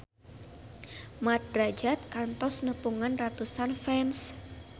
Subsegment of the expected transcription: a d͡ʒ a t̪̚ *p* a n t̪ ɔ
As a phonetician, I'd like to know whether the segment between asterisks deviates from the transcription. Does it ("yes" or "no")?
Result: yes